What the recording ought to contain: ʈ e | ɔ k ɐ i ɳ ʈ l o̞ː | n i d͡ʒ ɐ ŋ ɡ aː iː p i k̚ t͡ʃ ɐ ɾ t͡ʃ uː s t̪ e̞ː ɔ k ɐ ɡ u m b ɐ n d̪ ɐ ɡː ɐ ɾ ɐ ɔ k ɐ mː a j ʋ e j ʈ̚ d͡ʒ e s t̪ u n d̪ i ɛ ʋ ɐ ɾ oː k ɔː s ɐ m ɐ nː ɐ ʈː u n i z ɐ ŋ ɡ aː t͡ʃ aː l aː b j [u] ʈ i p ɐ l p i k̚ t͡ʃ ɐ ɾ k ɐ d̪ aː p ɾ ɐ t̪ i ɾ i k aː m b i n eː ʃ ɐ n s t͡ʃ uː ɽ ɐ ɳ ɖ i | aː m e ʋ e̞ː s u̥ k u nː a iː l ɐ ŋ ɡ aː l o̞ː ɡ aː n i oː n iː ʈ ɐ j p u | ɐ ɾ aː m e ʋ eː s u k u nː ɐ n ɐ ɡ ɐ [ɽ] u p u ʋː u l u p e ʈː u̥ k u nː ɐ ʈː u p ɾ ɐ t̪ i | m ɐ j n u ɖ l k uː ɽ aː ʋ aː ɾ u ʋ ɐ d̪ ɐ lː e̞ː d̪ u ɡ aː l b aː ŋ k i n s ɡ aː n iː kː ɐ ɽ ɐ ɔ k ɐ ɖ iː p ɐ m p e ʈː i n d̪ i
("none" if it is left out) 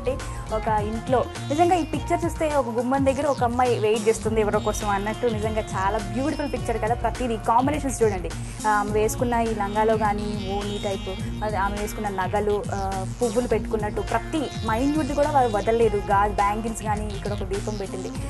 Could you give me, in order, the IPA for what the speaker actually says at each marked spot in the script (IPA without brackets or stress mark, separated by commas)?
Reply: uː, l